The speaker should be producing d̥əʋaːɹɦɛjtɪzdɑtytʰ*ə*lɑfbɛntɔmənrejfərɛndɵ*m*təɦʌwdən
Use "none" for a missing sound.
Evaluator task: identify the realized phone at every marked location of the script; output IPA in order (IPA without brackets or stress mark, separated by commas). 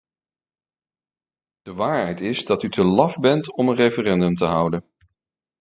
ə, m